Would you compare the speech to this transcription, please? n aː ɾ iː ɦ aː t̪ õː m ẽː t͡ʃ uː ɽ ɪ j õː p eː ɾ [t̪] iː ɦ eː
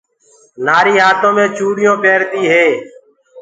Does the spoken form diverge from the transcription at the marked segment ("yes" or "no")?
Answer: no